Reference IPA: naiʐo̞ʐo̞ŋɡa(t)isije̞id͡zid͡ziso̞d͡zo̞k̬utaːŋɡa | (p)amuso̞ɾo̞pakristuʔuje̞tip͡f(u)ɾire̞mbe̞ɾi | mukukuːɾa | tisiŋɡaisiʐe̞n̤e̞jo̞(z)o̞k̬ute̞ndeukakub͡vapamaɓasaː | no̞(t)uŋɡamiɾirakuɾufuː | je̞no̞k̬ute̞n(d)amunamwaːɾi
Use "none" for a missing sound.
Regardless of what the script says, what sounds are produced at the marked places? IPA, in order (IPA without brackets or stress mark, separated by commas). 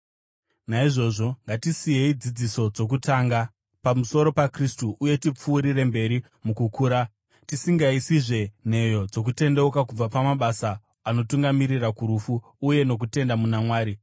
t, p, uː, d͡z, t, d